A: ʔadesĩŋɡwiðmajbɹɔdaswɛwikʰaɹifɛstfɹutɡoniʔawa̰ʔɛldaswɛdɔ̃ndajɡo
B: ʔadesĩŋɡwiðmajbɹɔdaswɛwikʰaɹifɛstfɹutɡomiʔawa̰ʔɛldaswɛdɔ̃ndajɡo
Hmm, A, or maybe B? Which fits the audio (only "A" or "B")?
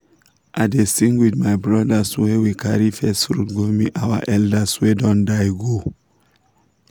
B